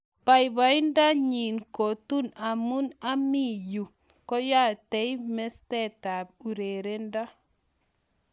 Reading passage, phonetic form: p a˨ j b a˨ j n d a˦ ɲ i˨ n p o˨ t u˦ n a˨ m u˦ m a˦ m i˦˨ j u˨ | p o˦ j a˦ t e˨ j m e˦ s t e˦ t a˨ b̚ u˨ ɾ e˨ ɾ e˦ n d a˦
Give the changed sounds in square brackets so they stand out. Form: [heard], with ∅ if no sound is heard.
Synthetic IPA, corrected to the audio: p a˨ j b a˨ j n d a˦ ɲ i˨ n [k] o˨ t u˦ n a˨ m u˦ [n] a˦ m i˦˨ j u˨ | [k] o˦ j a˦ t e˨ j m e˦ s t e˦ t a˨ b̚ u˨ ɾ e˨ ɾ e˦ n d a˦